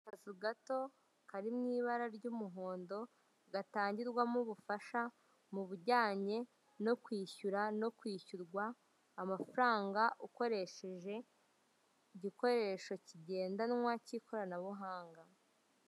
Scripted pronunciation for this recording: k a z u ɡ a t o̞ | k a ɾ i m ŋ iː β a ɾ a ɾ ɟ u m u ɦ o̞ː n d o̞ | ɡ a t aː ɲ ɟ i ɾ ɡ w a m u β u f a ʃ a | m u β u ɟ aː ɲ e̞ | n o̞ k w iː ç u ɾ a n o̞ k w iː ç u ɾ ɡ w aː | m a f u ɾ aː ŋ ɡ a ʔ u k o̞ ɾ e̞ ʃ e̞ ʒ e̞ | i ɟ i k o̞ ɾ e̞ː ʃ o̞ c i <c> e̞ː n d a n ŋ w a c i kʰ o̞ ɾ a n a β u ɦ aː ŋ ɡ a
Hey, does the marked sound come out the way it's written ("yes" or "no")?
no